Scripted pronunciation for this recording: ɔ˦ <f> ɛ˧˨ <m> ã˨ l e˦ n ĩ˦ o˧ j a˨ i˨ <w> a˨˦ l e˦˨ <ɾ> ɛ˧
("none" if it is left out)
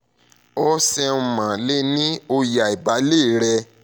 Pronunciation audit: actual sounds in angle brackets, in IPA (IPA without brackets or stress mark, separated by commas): s, m, b, ɾ